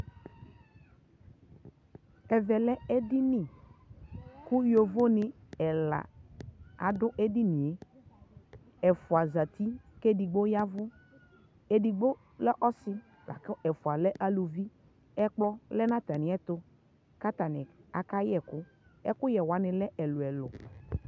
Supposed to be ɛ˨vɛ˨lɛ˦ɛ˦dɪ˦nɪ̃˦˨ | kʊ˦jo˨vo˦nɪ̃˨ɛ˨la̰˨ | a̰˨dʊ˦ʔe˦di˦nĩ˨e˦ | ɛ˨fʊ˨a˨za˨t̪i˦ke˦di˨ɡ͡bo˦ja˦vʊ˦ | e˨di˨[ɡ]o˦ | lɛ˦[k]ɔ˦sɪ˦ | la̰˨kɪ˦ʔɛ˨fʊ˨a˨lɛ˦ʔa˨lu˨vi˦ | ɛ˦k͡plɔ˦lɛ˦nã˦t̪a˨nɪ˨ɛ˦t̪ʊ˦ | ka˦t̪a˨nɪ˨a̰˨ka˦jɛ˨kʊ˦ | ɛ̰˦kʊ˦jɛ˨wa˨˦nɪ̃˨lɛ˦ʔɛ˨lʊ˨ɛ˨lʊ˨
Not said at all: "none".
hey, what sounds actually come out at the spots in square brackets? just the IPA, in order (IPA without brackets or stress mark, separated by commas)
ɡ͡b, ʔ